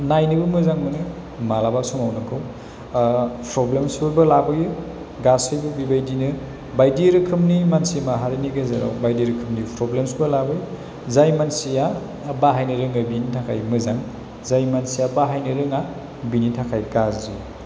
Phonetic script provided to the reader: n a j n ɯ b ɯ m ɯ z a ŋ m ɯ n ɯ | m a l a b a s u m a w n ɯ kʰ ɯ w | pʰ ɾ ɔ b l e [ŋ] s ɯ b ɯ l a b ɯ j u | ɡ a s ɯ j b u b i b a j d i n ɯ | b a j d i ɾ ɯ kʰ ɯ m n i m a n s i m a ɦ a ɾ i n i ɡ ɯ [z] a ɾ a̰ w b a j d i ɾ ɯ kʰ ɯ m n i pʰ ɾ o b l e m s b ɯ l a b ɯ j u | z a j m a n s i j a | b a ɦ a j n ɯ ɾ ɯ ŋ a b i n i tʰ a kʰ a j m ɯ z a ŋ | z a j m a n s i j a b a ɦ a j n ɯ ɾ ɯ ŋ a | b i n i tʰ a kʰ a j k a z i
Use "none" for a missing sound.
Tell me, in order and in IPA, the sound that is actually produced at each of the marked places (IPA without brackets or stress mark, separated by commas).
m, z